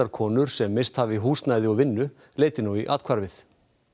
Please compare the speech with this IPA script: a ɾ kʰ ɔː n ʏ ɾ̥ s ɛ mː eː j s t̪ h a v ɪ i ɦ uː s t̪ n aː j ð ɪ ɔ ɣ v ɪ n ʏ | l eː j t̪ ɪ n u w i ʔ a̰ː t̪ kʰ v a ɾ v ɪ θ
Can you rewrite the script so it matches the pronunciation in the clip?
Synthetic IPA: a ɾ kʰ ɔː n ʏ ɾ̥ s ɛ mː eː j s t̪ h a v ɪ i ɦ uː s t̪ n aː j ð ɪ ɔ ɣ v ɪ nː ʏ | l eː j t̪ ɪ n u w i ʔ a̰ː t̪ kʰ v a ɾ v ɪ θ